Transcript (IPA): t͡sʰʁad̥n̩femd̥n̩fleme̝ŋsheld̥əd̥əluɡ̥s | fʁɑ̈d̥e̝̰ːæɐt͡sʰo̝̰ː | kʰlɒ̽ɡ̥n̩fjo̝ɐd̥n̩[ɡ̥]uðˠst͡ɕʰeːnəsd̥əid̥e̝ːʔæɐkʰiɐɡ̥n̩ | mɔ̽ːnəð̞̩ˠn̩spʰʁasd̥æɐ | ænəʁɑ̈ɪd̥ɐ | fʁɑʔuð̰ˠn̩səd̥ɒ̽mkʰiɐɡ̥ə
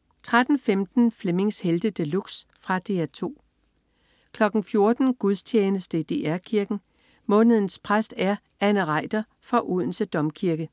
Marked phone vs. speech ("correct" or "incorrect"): correct